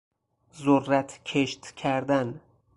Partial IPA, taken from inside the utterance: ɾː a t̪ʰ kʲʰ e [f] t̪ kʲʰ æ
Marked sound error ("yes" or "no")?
yes